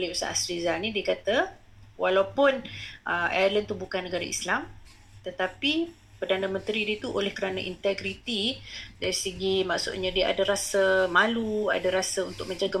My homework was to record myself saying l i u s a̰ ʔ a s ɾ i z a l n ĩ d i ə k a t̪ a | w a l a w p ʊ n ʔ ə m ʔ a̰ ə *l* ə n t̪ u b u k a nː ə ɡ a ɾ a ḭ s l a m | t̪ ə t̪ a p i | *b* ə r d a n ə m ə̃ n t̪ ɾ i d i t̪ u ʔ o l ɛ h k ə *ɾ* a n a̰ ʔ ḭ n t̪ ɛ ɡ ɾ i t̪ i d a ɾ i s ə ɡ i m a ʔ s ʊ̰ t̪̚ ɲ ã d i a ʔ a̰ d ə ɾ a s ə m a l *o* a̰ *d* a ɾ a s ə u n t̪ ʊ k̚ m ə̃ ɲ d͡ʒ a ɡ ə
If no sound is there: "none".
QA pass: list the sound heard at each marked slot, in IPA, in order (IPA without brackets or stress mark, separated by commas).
l, p, ɾ, u, d